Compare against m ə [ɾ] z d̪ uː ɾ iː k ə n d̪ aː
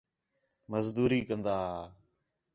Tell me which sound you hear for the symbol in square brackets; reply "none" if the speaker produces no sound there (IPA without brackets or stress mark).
none